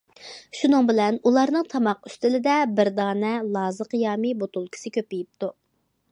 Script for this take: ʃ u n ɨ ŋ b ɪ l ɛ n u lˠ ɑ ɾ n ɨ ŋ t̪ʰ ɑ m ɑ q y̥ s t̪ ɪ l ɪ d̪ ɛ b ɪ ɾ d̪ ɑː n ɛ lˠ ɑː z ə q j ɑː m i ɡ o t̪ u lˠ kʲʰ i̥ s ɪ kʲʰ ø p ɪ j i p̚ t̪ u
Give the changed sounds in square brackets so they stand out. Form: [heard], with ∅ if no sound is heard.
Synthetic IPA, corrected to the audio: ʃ u n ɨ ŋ b ɪ l ɛ n u lˠ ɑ ɾ n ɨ ŋ t̪ʰ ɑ m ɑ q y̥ s t̪ ɪ l ɪ d̪ ɛ b ɪ ɾ d̪ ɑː n ɛ lˠ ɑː z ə q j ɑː m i [b] o t̪ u lˠ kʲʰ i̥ s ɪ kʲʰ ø p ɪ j i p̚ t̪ u